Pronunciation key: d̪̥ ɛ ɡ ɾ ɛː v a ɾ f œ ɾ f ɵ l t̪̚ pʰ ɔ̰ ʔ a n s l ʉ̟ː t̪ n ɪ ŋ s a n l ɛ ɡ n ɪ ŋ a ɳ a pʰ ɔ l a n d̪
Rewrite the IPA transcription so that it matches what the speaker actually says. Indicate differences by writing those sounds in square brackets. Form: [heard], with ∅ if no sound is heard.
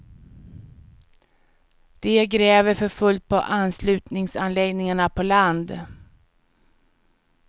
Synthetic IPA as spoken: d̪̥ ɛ ɡ ɾ ɛː v [ə] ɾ f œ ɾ f ɵ l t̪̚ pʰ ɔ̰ ʔ a n s l ʉ̟ː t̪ n ɪ ŋ s a n l ɛ ɡ n ɪ ŋ a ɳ a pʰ ɔ l a n d̪